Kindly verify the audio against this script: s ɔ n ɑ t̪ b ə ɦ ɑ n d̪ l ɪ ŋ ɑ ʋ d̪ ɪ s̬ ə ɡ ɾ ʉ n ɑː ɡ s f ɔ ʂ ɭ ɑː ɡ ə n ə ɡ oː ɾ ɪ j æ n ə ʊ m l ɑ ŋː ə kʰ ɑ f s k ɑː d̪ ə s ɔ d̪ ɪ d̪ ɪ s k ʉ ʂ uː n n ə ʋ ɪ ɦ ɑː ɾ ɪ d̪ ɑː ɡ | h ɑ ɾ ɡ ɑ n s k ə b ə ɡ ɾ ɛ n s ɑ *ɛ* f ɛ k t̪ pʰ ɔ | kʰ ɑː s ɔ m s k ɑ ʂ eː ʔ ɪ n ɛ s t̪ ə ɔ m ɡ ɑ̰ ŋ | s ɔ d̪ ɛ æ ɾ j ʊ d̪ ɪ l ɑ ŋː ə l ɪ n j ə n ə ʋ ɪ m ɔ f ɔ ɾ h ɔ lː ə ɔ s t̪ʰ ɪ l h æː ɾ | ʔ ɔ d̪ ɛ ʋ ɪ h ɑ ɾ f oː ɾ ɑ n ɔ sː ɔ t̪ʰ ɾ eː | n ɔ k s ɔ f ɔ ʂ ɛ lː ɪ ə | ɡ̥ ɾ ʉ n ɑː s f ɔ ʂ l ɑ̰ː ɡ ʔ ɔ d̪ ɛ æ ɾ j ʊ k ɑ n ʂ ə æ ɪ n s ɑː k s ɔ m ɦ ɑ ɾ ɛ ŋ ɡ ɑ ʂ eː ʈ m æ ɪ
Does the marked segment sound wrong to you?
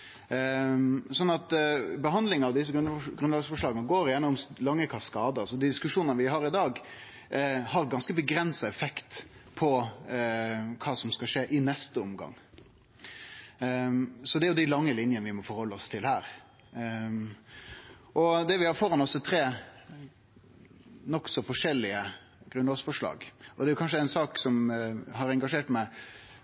no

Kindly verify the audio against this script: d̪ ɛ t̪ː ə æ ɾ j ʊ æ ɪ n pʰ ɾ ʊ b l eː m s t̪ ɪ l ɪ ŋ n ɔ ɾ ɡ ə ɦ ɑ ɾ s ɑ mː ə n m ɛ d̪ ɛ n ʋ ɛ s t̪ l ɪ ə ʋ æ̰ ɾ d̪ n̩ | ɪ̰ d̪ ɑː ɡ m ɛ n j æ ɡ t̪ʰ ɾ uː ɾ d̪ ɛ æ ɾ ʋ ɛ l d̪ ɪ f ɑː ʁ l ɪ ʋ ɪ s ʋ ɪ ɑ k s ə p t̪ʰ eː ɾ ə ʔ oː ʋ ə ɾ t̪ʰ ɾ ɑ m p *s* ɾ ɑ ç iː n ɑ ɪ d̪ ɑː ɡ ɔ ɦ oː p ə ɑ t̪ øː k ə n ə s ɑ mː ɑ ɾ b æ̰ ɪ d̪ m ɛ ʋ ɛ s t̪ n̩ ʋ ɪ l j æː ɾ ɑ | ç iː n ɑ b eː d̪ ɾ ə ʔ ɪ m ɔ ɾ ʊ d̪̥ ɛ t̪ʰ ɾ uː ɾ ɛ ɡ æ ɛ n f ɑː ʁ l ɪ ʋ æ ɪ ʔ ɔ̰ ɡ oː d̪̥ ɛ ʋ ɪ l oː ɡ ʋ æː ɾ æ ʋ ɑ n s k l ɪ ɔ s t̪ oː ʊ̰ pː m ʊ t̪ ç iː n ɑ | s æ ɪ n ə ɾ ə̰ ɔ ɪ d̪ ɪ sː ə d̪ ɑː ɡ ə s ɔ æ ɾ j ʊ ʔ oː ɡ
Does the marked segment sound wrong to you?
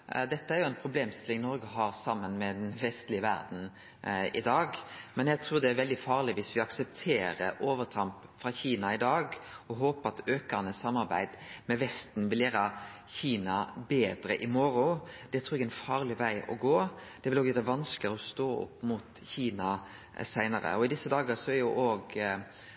yes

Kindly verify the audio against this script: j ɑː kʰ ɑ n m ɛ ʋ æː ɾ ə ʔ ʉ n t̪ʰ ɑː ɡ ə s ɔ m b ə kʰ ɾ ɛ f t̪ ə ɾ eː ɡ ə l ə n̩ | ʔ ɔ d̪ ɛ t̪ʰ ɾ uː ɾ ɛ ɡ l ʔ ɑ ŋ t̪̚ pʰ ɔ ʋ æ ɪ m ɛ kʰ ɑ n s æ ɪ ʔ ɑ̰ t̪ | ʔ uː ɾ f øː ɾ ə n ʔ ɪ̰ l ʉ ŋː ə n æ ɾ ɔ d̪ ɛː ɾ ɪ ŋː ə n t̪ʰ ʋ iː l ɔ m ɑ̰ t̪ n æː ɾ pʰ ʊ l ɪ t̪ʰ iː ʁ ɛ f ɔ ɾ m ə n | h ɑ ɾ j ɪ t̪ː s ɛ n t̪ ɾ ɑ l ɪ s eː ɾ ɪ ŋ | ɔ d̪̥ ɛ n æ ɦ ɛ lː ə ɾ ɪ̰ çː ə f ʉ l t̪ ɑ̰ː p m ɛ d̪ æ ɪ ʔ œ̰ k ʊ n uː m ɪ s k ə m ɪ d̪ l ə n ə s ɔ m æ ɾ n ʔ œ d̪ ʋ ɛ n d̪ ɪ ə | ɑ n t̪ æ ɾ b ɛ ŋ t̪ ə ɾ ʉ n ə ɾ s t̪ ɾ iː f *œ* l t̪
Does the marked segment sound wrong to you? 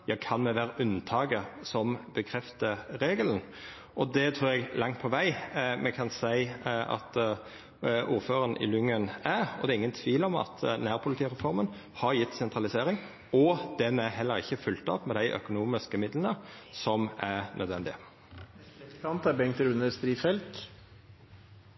yes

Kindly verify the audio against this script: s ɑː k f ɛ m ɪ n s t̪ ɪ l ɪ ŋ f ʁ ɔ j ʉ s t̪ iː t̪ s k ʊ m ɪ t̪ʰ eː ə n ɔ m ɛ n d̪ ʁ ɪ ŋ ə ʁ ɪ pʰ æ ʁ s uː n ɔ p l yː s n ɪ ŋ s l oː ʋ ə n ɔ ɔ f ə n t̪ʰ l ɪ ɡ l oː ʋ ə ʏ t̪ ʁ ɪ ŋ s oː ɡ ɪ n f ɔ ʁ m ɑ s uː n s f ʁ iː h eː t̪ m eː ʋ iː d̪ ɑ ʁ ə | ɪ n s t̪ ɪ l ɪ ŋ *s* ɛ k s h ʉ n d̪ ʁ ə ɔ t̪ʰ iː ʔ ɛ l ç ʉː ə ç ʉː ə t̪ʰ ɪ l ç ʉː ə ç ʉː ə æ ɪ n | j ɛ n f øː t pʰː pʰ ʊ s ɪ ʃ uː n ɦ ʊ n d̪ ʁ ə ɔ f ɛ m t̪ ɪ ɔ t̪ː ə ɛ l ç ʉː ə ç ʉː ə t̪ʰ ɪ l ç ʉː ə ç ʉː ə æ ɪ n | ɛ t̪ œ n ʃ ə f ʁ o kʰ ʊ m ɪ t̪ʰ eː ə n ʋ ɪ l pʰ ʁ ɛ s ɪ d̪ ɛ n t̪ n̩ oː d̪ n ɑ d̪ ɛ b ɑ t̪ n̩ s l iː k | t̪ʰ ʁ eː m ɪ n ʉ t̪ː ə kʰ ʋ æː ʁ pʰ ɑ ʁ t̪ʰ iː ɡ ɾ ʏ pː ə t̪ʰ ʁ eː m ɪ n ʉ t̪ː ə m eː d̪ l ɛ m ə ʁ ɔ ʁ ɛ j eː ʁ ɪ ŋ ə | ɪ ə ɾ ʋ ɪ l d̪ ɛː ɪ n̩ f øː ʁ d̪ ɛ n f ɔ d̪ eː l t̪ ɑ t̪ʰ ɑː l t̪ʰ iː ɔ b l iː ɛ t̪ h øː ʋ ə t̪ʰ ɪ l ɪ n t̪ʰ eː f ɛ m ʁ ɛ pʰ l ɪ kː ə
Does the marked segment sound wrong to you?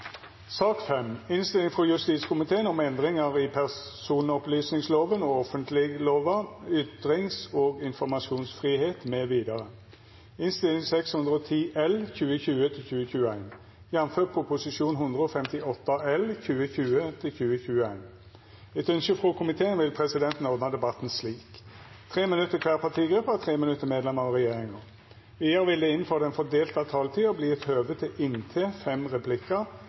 no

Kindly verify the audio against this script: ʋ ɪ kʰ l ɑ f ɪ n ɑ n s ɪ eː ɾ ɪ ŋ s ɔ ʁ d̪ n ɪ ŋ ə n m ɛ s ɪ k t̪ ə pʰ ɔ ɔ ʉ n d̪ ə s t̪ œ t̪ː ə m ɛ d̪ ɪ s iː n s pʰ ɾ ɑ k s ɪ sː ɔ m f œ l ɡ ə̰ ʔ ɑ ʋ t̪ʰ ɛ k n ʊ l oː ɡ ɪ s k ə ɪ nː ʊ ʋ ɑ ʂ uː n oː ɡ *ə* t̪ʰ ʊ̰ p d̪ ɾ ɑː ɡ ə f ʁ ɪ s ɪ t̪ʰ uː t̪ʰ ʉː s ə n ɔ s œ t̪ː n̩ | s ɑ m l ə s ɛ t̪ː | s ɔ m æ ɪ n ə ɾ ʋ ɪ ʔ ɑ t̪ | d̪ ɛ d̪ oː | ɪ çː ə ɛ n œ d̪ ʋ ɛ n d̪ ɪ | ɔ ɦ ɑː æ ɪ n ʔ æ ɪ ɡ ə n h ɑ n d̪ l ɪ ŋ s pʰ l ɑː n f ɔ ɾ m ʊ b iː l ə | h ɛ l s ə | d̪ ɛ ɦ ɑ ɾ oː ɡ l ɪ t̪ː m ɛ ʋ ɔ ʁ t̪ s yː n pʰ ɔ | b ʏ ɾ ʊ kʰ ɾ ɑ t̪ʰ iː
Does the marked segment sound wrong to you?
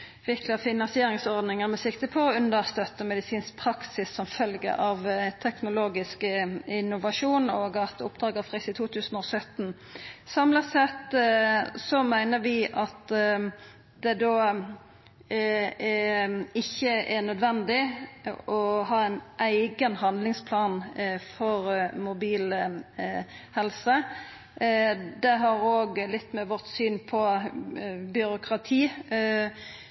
yes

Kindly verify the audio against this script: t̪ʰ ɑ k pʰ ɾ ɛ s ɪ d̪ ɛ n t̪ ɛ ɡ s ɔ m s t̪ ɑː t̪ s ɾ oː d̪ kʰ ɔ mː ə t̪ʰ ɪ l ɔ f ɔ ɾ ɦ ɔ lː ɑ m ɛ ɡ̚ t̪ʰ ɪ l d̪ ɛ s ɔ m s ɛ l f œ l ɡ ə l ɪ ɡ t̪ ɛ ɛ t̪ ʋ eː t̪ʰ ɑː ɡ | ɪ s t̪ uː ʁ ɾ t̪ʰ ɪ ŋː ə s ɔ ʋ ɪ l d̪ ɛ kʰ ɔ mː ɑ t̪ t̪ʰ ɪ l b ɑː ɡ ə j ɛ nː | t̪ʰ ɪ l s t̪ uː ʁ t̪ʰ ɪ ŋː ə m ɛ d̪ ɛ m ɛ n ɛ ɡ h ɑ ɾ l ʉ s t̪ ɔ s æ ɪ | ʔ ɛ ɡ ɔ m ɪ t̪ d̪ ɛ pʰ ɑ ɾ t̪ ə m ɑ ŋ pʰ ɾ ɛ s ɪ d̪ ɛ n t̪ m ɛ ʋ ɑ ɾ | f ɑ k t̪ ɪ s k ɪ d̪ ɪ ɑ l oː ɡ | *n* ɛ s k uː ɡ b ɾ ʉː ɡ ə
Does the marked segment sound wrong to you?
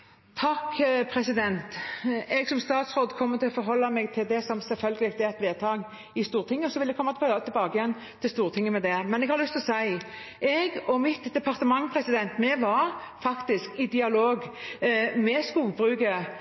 yes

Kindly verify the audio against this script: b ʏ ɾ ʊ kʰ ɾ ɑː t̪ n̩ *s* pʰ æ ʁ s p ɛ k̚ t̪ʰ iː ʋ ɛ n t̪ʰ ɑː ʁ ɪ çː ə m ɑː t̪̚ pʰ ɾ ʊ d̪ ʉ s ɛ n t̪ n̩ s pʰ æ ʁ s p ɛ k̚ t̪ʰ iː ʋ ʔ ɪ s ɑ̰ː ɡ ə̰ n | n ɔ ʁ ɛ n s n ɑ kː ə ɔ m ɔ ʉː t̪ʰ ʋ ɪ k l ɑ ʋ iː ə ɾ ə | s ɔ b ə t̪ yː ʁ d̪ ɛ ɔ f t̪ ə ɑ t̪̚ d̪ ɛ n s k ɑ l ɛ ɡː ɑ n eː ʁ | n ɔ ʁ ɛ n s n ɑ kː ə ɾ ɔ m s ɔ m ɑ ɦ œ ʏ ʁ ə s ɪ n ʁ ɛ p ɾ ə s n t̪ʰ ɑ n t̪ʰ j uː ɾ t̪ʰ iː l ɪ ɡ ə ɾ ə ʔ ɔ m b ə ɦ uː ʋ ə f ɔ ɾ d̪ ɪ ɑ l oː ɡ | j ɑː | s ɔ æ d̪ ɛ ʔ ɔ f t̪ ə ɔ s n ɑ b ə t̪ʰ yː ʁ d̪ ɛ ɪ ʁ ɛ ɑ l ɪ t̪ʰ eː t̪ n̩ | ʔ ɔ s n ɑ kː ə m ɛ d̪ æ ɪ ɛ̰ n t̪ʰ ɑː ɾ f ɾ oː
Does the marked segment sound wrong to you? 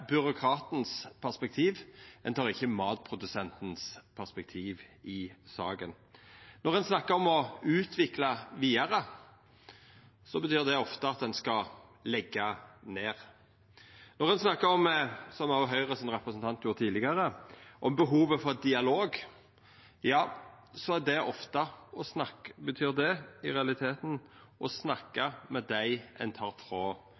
no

